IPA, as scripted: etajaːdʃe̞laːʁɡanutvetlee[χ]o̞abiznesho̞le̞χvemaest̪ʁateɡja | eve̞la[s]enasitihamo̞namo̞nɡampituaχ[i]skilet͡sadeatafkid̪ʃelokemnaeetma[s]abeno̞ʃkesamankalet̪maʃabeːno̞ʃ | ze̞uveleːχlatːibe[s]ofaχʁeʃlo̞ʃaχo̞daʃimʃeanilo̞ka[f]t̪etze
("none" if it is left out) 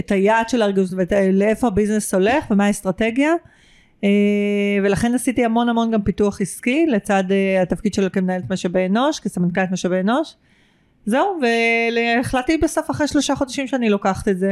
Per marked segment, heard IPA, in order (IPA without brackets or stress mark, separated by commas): f, χ, i, ʃ, s, χ